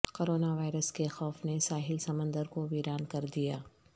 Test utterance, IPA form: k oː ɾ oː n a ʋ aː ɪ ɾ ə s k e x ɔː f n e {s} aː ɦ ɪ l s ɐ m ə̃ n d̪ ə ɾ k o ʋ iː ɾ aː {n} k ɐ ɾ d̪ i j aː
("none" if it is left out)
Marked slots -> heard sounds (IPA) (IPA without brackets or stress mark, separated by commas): s, n